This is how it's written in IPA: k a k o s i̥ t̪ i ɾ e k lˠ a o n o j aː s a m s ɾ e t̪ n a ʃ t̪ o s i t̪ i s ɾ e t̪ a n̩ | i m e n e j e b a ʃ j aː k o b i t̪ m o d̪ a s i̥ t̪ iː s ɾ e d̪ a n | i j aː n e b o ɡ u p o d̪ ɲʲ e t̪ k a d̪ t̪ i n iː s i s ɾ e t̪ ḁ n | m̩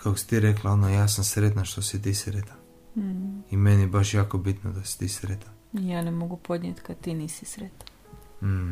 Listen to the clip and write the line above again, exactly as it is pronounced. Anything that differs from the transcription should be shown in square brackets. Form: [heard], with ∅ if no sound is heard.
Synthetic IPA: k a k o s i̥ t̪ i ɾ e k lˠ a o n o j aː s a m s ɾ e t̪ n a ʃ t̪ o s i t̪ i s ɾ e t̪ a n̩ | i m e n [i] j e b a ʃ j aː k o b i t̪ [n] o d̪ a s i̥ t̪ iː s ɾ e [t̪] a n | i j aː n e [m] o ɡ u p o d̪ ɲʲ e t̪ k a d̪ t̪ i n iː s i s ɾ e t̪ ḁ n | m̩